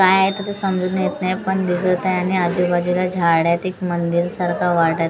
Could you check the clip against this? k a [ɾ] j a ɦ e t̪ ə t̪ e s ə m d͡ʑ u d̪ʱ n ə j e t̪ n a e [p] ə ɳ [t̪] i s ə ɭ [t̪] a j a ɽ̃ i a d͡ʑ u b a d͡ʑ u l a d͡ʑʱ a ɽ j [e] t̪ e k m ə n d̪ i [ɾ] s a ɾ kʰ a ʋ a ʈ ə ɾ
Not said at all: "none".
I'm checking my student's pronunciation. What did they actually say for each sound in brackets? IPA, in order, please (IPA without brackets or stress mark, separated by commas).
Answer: none, p, d̪, t̪, a, ɾ